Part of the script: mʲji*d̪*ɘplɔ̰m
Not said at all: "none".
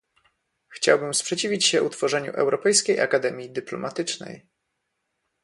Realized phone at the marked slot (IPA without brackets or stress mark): d̪